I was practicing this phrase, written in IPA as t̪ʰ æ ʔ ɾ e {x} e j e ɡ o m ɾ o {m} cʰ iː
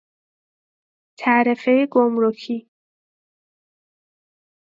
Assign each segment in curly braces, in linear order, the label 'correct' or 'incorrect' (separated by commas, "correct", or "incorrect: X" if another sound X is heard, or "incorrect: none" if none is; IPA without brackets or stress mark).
incorrect: f, incorrect: none